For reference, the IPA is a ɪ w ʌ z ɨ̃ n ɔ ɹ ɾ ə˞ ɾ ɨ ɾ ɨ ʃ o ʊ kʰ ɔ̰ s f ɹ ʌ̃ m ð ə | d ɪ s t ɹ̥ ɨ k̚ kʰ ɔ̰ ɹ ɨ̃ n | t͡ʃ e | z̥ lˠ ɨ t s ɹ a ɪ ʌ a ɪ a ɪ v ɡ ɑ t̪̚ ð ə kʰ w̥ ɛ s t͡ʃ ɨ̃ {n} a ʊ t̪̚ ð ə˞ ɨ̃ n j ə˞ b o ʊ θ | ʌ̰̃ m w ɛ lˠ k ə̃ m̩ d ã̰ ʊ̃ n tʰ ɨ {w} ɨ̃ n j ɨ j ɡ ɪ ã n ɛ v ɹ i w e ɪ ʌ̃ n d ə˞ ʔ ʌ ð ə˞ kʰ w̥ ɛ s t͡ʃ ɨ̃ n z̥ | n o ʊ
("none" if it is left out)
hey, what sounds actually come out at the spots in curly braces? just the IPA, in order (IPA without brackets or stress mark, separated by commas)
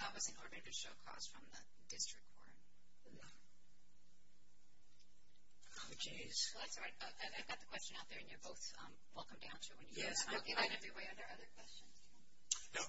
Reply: n, w